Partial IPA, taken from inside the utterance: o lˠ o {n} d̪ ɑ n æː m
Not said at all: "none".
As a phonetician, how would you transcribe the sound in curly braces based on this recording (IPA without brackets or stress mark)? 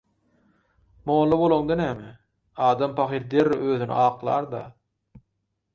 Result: ŋ